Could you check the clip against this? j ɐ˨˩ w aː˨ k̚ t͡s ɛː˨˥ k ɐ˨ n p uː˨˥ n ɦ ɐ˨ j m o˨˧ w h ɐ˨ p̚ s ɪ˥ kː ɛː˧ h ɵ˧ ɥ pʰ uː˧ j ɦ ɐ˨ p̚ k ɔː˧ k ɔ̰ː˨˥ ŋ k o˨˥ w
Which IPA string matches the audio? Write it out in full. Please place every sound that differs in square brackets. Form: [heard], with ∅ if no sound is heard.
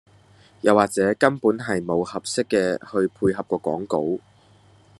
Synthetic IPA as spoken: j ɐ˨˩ w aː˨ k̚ t͡s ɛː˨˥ k [ɐ˥] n p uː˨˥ n ɦ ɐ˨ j m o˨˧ w h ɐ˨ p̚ s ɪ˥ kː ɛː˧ h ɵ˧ ɥ pʰ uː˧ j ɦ ɐ˨ p̚ k ɔː˧ k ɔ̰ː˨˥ ŋ k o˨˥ w